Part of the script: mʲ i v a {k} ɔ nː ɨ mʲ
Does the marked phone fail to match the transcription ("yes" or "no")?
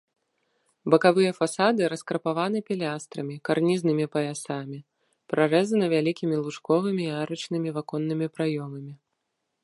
no